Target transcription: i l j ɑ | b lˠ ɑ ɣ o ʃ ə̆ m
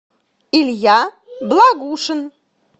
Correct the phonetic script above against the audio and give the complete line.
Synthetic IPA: i l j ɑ | b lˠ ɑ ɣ u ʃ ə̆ n